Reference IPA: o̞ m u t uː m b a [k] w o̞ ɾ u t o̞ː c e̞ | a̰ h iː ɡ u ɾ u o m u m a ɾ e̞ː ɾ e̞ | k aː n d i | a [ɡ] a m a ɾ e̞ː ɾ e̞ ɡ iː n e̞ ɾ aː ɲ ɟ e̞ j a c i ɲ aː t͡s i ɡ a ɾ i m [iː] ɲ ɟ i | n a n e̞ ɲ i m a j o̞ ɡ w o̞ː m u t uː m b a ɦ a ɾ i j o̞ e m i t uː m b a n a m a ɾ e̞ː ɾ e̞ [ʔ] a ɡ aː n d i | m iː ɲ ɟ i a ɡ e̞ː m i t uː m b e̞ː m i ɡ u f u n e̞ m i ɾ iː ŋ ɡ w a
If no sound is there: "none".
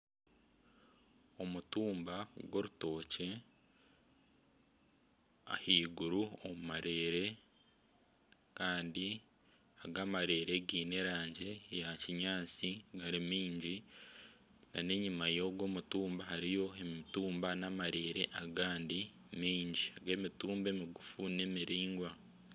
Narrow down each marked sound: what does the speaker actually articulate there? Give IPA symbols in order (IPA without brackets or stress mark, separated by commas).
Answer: ɡ, ɡ, iː, ʔ